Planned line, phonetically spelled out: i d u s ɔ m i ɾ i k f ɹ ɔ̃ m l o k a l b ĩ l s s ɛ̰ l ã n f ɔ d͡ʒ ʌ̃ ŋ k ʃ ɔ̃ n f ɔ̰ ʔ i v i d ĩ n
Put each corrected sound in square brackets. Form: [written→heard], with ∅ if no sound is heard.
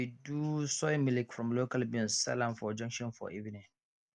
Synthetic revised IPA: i d u s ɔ m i [ɾ→l] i k f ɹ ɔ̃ m l o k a l b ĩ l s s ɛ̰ l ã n f ɔ d͡ʒ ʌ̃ ŋ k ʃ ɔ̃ n f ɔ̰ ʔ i v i [d→n] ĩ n